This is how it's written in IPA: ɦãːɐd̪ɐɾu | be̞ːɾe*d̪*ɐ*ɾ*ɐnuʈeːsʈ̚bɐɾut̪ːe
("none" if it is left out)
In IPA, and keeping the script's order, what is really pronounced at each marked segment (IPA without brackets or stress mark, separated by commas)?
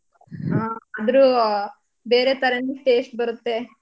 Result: t̪, ɾ